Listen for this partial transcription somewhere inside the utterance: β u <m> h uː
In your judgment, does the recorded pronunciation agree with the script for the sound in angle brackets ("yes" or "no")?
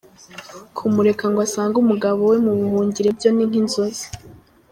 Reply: no